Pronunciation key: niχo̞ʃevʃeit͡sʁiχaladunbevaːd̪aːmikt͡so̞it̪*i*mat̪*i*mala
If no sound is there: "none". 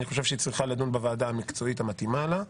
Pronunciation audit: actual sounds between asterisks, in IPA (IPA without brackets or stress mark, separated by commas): a, i